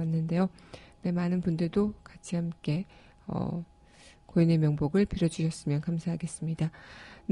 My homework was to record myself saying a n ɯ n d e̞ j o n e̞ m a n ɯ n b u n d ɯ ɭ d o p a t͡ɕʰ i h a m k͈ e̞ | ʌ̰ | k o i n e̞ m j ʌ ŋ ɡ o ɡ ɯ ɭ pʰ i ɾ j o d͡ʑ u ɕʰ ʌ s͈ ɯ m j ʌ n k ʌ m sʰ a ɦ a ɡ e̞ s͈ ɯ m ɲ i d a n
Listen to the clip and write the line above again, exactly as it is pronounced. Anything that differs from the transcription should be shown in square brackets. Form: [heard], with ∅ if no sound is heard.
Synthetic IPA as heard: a [nː] ɯ n d e̞ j o n e̞ m a n ɯ n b u n d ɯ ɭ d o [k] a t͡ɕʰ i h a m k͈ e̞ | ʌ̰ | k o i n e̞ m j ʌ ŋ [b] o ɡ ɯ ɭ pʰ i ɾ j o d͡ʑ u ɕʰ ʌ s͈ ɯ m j ʌ n k [a] m sʰ a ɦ a ɡ e̞ s͈ ɯ m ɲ i d a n